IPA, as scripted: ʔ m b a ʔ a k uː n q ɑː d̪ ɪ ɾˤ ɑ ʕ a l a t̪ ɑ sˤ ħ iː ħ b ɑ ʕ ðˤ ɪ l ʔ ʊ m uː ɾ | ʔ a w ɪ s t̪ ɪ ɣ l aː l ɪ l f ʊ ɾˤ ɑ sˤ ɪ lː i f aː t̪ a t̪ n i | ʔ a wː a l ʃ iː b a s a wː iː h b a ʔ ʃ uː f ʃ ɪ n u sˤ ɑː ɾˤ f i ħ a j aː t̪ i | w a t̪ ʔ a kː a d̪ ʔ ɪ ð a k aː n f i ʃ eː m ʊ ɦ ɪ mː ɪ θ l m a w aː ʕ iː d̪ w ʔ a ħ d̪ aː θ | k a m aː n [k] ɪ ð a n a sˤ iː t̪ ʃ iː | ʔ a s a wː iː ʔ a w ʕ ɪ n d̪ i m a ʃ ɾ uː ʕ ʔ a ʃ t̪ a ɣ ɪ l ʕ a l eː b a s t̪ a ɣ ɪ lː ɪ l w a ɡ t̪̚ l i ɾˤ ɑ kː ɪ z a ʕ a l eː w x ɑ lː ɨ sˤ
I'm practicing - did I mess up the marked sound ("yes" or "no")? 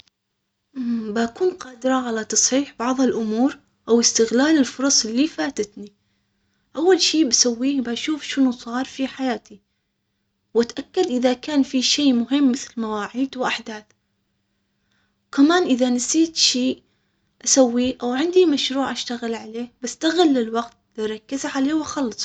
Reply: yes